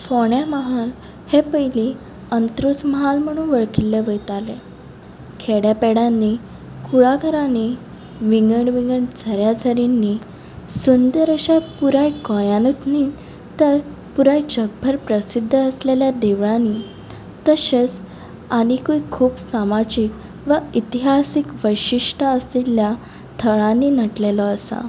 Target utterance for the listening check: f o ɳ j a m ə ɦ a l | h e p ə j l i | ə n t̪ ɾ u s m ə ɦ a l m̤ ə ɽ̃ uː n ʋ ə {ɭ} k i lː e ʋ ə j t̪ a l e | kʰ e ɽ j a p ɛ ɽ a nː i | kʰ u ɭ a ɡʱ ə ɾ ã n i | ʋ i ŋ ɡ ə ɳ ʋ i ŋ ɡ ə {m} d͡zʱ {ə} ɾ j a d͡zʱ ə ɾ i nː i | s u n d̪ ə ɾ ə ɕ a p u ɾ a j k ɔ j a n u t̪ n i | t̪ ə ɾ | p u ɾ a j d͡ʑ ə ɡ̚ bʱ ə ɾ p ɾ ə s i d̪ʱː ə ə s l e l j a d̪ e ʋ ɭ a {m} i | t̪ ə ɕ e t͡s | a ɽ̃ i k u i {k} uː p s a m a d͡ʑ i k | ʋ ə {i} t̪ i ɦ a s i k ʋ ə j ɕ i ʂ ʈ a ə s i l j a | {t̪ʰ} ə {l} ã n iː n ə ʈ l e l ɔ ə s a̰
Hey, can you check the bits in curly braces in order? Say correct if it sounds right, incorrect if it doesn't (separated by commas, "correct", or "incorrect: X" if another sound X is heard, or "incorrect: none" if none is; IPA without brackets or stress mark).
correct, incorrect: ɳ, correct, incorrect: n, incorrect: kʰ, correct, correct, incorrect: ɭ